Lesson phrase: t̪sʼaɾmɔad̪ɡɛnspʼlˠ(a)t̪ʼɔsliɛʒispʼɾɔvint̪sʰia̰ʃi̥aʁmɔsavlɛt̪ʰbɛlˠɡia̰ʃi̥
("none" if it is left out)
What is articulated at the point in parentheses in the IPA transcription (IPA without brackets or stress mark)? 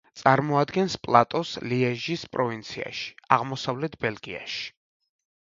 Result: a